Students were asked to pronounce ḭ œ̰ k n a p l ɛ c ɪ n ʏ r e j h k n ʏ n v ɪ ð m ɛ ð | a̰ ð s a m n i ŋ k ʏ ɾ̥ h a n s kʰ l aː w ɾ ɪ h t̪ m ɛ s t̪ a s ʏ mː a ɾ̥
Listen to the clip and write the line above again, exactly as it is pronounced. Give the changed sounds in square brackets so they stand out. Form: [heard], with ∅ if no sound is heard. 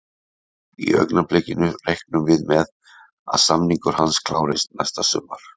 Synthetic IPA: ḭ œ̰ k n a p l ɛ c ɪ n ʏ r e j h k n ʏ [m] v ɪ ð m ɛ ð | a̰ ð s a m n i ŋ k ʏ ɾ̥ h a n s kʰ l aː w ɾ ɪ [s] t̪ [n] ɛ s t̪ a s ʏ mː a ɾ̥